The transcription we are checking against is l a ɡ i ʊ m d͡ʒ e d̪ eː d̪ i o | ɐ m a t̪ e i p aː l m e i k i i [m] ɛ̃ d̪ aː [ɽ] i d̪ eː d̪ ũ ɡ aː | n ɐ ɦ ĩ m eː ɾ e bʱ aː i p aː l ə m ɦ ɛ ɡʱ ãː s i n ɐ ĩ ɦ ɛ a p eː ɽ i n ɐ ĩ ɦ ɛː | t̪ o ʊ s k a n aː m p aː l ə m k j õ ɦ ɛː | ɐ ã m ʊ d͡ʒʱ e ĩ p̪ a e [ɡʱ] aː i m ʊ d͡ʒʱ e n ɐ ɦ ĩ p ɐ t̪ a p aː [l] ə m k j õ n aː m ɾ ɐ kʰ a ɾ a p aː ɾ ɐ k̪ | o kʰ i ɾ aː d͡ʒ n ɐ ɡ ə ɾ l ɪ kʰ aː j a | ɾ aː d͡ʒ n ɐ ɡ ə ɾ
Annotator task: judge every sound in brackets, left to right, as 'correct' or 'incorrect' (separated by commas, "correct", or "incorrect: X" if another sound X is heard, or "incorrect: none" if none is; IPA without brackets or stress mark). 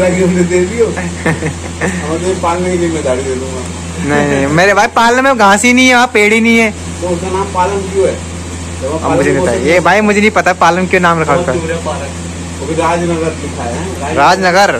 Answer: correct, correct, incorrect: bʱ, correct